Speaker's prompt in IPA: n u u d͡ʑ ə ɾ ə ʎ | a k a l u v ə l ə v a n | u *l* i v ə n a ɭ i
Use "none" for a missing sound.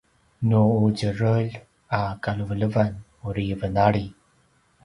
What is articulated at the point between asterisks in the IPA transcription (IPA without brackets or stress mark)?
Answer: ɾ